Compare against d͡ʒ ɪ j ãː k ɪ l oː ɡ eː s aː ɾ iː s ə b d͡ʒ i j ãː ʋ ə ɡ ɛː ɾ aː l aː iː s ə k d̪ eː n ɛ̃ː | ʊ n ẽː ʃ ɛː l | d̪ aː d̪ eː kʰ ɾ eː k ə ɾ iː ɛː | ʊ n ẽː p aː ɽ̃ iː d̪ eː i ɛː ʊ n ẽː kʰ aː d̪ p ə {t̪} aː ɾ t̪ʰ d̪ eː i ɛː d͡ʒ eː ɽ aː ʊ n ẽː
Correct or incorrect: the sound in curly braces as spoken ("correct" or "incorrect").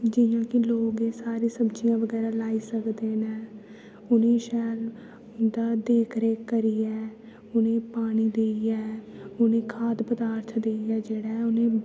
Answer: incorrect